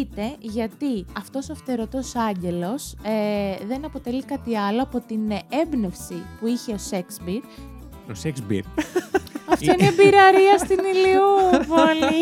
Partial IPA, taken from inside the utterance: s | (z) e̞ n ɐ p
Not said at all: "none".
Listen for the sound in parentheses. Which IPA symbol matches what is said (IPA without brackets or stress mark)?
ð